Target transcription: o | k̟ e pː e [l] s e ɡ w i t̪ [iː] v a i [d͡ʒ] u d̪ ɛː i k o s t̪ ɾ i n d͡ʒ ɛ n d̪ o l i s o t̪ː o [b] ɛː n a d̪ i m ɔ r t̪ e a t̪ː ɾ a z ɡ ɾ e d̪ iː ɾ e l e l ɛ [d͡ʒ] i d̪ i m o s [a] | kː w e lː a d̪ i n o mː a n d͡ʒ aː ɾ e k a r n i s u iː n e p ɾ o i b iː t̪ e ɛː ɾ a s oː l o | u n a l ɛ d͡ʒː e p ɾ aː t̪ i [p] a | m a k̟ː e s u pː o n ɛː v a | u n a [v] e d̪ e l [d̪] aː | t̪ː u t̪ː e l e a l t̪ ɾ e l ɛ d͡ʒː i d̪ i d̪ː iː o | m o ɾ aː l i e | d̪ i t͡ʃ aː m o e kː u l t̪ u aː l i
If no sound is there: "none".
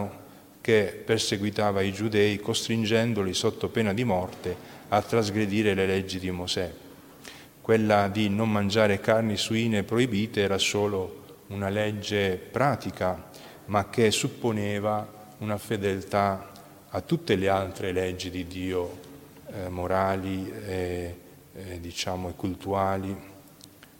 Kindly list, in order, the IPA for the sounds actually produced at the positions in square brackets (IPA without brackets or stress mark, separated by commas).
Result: r, aː, d͡ʒ, p, d͡ʒː, ɛ, k, f, t̪